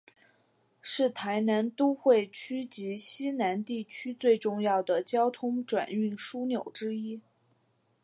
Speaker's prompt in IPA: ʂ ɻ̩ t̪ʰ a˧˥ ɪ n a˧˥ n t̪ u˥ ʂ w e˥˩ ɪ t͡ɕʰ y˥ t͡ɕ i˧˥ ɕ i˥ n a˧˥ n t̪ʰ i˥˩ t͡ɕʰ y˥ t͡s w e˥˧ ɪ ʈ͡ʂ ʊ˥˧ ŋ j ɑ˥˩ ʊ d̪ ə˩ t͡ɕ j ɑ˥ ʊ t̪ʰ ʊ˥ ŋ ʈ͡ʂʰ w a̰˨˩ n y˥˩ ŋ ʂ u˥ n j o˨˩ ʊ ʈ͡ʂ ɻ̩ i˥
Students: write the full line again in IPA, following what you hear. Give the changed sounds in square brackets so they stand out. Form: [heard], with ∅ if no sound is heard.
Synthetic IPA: ʂ ɻ̩ t̪ʰ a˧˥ ɪ n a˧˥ n t̪ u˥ [x] w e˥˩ ɪ t͡ɕʰ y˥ t͡ɕ i˧˥ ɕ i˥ n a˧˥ n [t̪] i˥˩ t͡ɕʰ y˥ t͡s w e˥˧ ɪ ʈ͡ʂ ʊ˥˧ ŋ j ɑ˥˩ ʊ d̪ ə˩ t͡ɕ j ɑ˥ ʊ t̪ʰ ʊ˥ ŋ [ʈ͡ʂ] w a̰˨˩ n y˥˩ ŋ ʂ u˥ n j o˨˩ ʊ ʈ͡ʂ ɻ̩ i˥